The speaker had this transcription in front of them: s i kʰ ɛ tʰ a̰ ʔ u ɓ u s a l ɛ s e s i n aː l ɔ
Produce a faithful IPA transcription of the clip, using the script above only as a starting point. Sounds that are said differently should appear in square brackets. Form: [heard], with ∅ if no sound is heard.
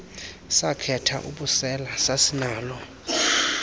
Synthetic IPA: s [a] kʰ ɛ tʰ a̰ ʔ u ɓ u s [ɛ] l [a] s [a] s i n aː l ɔ